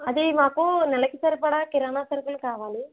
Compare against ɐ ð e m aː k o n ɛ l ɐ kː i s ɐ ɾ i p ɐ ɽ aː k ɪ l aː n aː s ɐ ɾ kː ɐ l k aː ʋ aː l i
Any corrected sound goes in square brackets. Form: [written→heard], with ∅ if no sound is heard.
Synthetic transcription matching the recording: ɐ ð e m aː k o n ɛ l ɐ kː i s ɐ ɾ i p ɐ ɽ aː k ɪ [l→ɾ] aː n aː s ɐ ɾ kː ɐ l k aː ʋ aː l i